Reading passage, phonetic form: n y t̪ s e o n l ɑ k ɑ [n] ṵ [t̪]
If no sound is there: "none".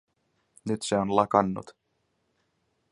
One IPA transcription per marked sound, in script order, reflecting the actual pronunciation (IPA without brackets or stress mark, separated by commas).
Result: nː, t̪